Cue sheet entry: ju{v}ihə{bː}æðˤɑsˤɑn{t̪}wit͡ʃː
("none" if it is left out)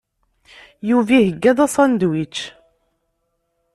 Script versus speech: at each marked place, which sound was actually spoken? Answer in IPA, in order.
v, ɡː, d̪

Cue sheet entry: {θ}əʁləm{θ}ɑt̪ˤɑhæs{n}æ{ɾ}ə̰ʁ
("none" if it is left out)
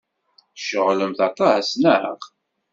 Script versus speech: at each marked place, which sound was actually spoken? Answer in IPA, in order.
ʃ, θ, n, ɾ

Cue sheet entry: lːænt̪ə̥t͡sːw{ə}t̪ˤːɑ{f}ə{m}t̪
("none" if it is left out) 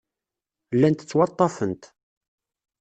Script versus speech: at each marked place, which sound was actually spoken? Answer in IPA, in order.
ɑ, f, n

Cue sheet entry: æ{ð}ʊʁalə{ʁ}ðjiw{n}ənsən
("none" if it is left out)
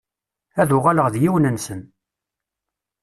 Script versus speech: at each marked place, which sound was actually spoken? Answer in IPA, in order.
ð, ʁ, n

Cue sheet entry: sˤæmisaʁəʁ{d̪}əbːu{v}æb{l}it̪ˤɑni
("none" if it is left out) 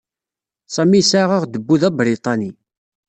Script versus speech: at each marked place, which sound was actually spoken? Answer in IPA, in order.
d̪, ð, ɾ

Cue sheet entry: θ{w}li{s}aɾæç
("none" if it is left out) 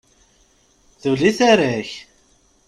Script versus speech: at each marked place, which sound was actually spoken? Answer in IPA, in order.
u, θ

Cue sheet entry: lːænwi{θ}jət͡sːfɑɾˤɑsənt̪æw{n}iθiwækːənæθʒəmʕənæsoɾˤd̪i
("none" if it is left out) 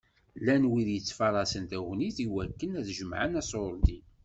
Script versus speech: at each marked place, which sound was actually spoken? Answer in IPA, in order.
ð, n

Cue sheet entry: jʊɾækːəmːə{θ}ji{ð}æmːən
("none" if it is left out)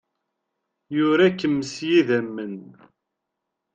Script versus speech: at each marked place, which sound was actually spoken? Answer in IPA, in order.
s, ð

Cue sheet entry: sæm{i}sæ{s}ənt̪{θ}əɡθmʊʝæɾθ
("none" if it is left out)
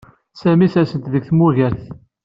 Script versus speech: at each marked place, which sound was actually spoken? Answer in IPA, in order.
i, s, ð

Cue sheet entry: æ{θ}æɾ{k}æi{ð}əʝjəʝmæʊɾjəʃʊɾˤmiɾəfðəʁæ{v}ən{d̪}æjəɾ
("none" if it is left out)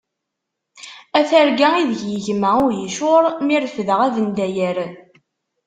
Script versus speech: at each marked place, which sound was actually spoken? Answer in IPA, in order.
θ, ɡ, ð, ð, d̪

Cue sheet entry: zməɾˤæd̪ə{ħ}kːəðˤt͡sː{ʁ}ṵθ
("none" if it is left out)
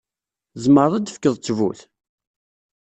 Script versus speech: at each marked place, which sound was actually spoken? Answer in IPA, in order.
f, v

